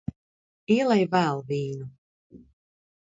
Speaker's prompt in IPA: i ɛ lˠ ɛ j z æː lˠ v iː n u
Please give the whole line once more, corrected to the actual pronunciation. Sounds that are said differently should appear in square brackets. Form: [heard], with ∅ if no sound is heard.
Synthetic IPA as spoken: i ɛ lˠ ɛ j [v] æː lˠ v iː n u